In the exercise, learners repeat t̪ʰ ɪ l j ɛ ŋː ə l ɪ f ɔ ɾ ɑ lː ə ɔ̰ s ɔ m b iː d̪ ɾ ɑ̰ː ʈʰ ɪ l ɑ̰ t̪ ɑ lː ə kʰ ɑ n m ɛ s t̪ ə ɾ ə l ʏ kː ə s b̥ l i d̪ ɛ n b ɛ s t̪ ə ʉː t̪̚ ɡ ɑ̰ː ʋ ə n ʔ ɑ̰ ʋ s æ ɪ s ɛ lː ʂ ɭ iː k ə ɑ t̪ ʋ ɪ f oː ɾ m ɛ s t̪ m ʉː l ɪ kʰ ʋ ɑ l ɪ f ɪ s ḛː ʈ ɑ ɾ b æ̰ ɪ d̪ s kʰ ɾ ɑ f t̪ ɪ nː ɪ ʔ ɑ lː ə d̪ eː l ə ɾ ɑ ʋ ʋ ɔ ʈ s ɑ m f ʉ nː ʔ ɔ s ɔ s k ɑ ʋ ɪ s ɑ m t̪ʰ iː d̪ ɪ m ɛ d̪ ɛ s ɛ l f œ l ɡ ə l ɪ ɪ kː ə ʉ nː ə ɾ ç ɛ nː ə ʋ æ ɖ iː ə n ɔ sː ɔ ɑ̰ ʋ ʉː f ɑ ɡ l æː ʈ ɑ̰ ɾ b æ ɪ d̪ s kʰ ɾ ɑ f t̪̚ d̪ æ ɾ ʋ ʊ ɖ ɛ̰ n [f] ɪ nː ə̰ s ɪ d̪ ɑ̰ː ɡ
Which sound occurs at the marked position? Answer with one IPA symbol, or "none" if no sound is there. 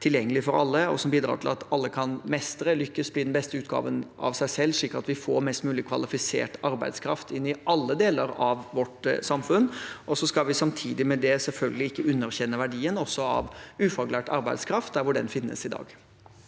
f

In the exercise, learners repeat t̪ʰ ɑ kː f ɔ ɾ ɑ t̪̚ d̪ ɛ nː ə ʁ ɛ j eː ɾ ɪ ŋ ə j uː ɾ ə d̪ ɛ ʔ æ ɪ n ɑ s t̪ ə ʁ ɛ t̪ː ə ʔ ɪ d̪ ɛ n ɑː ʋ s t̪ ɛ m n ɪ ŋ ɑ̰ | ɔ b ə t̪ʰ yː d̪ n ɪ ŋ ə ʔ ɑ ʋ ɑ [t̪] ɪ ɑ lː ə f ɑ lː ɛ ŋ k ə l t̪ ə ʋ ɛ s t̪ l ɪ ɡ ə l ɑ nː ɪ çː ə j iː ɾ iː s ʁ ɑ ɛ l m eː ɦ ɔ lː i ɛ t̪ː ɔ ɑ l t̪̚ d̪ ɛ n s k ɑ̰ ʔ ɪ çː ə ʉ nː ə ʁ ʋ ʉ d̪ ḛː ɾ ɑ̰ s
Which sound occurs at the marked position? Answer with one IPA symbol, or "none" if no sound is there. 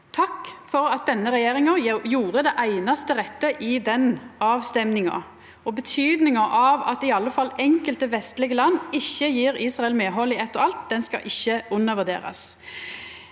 t̪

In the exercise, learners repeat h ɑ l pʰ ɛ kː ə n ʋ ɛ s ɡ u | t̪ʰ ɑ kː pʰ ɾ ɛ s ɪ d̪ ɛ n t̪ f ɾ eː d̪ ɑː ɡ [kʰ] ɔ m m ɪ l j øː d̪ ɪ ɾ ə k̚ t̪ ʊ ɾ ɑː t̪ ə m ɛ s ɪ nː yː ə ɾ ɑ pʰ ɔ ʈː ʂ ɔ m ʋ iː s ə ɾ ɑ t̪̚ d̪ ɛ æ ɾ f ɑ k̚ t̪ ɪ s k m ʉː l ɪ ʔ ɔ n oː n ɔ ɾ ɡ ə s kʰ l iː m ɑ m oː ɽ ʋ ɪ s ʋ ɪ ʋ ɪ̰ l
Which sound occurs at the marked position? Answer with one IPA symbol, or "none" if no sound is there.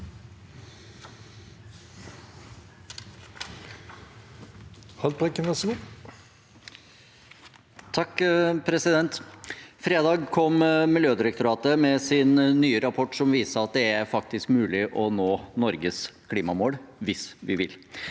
kʰ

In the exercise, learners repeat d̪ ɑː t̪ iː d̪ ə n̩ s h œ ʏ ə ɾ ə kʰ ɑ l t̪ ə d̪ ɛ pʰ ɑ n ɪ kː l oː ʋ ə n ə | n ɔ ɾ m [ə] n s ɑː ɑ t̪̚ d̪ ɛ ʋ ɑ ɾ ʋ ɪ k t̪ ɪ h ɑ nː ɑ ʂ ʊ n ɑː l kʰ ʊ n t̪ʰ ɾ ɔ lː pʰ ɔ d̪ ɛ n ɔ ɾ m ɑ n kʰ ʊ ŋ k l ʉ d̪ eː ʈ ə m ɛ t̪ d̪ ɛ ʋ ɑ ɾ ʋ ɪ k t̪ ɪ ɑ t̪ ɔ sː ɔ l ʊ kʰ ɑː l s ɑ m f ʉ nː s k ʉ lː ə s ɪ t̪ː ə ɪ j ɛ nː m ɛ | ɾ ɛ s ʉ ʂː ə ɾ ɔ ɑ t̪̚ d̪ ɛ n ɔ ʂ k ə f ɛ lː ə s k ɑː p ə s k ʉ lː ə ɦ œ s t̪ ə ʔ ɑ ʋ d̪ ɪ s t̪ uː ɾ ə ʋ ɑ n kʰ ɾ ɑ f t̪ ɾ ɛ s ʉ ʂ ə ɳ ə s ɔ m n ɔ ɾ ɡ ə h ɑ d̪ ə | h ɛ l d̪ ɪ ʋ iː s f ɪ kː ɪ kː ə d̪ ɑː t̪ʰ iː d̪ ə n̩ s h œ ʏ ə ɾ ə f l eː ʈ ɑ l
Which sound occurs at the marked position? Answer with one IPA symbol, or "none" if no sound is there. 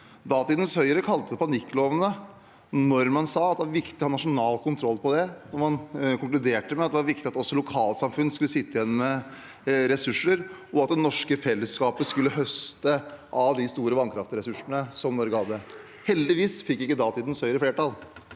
ɑ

